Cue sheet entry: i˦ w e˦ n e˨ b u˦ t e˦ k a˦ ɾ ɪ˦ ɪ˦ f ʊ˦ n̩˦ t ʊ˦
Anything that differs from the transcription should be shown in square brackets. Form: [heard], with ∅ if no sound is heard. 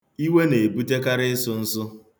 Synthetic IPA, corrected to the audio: i˦ w e˦ n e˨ b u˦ t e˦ k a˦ ɾ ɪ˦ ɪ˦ [s] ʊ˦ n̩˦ [s] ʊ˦